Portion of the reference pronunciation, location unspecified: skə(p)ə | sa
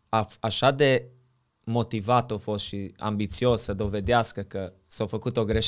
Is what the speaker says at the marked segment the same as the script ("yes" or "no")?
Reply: no